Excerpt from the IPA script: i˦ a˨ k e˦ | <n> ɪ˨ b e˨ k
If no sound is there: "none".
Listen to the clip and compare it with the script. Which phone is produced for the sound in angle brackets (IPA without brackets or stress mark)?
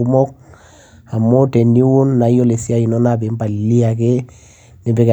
n